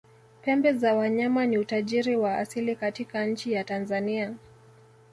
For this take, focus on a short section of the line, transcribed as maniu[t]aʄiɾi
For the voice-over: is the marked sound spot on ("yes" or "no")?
yes